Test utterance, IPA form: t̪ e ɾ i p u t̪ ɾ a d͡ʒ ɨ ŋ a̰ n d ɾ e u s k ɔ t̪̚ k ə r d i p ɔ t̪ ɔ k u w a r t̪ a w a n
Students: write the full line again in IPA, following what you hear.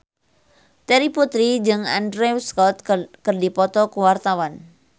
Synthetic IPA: t̪ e ɾ i p u t̪ ɾ i d͡ʒ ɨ ŋ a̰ n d ɾ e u s k ɔ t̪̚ k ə r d i p ɔ t̪ ɔ k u w a r t̪ a w a n